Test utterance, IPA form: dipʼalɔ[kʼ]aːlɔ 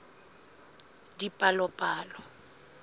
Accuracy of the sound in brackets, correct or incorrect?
incorrect